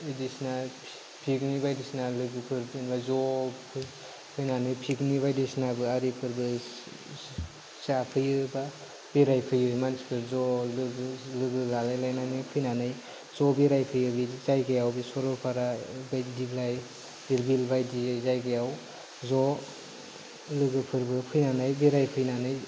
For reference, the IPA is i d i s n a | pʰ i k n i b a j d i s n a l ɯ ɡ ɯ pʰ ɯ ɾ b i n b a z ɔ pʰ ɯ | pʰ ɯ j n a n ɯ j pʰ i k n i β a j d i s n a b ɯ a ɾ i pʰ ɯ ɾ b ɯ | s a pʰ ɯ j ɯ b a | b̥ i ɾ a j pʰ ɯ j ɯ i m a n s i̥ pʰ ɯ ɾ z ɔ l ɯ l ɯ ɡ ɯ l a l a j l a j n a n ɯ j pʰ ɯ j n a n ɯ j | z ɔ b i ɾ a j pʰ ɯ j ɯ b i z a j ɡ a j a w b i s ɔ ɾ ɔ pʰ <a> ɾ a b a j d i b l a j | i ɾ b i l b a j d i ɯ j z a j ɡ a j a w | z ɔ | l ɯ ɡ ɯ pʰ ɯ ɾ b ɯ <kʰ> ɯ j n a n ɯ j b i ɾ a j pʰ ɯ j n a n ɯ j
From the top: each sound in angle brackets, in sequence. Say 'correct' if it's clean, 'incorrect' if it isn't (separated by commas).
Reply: correct, incorrect